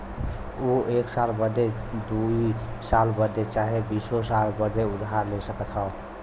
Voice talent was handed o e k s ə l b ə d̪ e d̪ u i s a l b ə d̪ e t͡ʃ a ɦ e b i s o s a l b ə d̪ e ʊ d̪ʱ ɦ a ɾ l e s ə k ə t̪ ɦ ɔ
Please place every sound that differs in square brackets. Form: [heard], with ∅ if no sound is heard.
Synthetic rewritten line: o e k s [a] l b ə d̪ e d̪ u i s a l b ə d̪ e t͡ʃ a ɦ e b i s o s a l b ə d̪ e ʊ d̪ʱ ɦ a ɾ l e s ə k ə t̪ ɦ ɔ